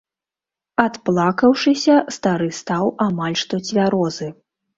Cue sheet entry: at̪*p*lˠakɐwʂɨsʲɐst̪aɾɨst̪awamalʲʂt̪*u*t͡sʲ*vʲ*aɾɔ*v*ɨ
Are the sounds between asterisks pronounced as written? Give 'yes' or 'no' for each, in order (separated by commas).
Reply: yes, no, yes, no